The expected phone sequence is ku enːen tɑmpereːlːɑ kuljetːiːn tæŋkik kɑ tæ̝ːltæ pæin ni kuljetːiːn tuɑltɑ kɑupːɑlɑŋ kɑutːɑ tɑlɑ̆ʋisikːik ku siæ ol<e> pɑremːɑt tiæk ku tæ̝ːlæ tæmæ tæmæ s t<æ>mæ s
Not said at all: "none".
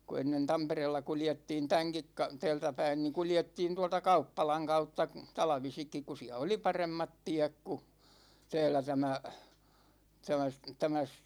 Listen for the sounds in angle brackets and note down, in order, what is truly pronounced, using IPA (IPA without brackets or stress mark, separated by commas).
i, æ